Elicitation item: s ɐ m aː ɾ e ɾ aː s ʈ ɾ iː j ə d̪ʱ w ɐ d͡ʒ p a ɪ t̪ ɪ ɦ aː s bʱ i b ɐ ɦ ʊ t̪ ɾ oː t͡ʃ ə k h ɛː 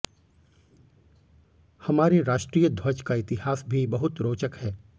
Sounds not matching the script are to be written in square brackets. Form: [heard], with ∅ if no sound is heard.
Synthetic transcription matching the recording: [h] ɐ m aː ɾ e ɾ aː [ʃ] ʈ ɾ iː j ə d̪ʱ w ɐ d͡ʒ [k] a ɪ t̪ ɪ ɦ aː s bʱ i b ɐ ɦ ʊ t̪ ɾ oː t͡ʃ ə k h ɛː